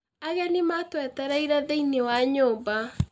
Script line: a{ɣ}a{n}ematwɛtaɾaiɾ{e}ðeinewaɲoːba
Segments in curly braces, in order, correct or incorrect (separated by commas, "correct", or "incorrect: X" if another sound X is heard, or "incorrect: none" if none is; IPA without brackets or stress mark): correct, correct, incorrect: a